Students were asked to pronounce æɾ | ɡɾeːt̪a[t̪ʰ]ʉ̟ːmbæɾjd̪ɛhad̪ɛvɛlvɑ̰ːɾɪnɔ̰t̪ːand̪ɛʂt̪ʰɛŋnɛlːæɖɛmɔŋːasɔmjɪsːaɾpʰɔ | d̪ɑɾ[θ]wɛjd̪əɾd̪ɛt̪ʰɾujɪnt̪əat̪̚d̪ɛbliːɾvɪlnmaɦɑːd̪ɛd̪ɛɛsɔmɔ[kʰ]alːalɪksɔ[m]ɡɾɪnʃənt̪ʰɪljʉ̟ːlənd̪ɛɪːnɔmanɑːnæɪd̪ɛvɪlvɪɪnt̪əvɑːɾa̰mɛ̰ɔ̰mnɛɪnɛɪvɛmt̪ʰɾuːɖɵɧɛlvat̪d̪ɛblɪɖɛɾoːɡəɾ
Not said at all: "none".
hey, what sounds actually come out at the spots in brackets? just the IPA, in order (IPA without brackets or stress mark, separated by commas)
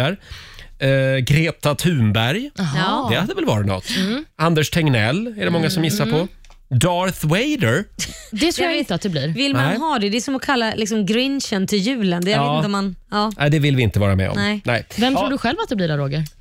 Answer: t̪ʰ, θ, kʰ, m